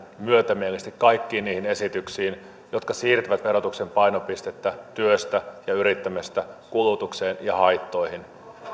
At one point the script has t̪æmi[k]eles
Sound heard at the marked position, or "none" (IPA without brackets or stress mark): none